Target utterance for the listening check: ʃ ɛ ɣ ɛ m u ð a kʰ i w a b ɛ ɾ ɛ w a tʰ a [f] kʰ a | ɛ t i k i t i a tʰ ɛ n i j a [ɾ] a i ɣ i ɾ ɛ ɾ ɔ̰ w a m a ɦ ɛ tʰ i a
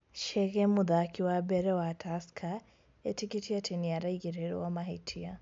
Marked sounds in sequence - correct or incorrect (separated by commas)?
incorrect, correct